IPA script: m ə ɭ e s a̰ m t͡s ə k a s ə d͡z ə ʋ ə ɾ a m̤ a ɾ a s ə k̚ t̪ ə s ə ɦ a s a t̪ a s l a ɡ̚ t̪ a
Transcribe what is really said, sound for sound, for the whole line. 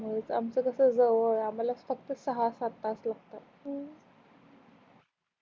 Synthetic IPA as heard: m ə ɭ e t͡s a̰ m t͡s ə k ə s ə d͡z ə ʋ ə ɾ a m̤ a l a f ə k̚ t̪ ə s ə ɦ a s a t̪ a s l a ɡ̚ t̪ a

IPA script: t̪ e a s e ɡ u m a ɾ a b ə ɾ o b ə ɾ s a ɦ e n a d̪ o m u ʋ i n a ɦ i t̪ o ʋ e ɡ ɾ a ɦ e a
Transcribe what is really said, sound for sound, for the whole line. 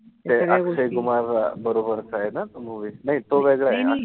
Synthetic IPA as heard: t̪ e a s e ɡ u m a ɾ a b ə ɾ o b ə ɾ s a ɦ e n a t̪ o m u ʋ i n a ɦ i t̪ o ʋ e ɡ ɭ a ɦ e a

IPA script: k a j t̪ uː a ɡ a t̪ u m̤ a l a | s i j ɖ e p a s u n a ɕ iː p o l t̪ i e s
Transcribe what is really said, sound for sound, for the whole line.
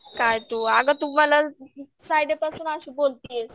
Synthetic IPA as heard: k a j t̪ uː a ɡ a t̪ u m̤ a l a | s a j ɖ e p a s uː n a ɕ iː b o l t̪ i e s

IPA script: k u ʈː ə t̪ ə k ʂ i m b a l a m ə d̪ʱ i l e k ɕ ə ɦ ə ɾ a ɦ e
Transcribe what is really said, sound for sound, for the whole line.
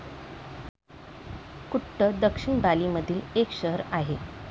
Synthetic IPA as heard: k u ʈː ə d̪ ə k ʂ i ɳ b a l i m ə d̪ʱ iː l e k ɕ ə ɦ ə ɾ a ɦ e

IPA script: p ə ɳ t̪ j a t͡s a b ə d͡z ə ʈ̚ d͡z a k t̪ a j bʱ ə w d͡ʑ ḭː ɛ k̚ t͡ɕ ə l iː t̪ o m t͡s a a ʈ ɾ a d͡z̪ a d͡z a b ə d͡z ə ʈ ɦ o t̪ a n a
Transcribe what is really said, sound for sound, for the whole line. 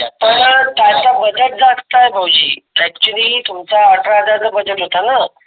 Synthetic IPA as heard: p ə ɳ t̪ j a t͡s a b ə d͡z ə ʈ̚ d͡z a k t̪ a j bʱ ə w d͡ʑ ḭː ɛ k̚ t͡ɕ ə l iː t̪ u m t͡s a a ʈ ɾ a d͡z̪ a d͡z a b ə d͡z ə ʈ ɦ o t̪ a n a

